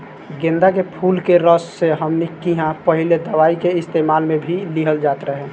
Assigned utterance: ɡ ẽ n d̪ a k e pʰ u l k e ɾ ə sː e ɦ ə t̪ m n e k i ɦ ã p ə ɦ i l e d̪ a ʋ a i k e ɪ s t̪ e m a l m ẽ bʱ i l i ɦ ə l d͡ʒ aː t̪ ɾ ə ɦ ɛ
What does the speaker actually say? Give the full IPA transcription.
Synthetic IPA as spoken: ɡ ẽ n d̪ a k e pʰ u l k e ɾ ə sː e ɦ ə m n i k i ɦ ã p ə ɦ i l e d̪ ə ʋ a i k e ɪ s t̪ e m a l m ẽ bʱ i l i ɦ ə l d͡ʒ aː t̪ ɾ ə ɦ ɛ